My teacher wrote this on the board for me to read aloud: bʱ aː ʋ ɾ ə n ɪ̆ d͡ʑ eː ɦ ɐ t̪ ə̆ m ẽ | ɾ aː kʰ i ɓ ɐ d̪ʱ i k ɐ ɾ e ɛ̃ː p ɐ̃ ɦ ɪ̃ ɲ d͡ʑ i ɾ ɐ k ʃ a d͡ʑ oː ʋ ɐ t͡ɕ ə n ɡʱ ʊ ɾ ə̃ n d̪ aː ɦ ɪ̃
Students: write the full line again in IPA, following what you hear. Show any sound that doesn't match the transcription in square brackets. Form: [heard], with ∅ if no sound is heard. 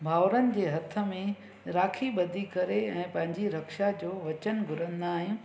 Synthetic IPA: bʱ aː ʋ ɾ ə n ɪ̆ d͡ʑ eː ɦ ɐ [t̪ʰ] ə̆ m ẽ | ɾ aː kʰ i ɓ ɐ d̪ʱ i k ɐ ɾ e ɛ̃ː p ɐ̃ ɦ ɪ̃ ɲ d͡ʑ i ɾ ɐ k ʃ a d͡ʑ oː ʋ ɐ t͡ɕ ə n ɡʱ ʊ ɾ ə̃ n d̪ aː ɦ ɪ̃